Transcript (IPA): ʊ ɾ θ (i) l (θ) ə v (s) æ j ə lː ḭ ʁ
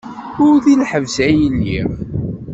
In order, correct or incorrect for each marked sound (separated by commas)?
correct, incorrect, correct